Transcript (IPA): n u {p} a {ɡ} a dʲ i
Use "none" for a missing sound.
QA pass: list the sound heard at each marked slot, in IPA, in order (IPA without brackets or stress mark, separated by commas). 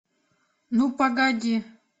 p, ɡ